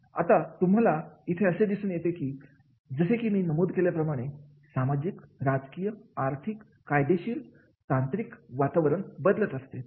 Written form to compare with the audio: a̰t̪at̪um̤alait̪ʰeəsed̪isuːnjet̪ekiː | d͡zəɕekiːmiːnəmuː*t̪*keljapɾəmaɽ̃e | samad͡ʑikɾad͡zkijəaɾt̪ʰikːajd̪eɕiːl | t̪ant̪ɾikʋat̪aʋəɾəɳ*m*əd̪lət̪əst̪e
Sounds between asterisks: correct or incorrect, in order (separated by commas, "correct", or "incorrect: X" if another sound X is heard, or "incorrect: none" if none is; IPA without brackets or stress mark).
incorrect: d̪, incorrect: b